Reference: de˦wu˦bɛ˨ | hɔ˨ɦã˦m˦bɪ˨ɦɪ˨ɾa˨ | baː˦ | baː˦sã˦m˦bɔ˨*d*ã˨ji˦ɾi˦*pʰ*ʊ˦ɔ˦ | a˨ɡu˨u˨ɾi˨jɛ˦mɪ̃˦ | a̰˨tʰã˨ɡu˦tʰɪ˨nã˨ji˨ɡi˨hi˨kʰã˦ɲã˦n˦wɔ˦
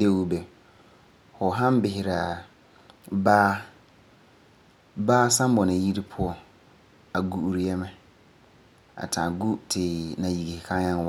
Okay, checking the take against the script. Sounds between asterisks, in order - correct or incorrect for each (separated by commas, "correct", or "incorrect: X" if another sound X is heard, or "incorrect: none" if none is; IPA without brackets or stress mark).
incorrect: n, correct